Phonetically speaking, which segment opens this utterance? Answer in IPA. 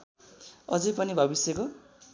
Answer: ʌ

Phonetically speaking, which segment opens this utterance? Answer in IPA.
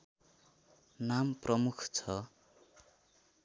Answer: n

